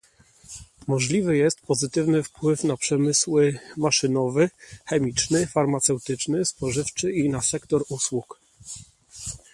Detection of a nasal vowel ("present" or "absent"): absent